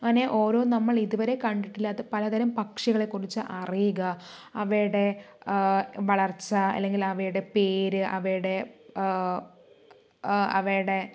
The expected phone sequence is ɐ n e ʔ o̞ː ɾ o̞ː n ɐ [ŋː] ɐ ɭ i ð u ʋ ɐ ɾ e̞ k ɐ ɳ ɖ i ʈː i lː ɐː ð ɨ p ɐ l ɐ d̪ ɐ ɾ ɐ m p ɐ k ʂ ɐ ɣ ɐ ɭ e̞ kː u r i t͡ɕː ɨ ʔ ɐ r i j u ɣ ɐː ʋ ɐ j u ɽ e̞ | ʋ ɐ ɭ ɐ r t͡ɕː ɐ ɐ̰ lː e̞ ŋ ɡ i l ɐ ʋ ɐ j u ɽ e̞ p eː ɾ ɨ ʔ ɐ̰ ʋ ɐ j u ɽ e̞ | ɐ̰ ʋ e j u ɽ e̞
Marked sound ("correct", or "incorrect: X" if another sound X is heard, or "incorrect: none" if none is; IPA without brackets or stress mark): incorrect: mː